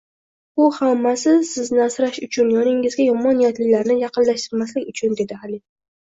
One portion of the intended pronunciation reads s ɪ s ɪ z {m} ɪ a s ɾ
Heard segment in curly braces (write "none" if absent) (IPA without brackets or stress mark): n